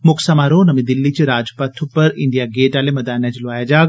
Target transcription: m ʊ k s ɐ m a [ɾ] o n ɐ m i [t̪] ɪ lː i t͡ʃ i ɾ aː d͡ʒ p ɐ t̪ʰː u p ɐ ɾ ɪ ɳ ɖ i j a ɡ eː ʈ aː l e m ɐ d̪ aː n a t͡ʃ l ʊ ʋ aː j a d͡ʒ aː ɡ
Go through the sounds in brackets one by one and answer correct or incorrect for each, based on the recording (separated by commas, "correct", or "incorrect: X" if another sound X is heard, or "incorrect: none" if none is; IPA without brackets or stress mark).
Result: correct, incorrect: d̪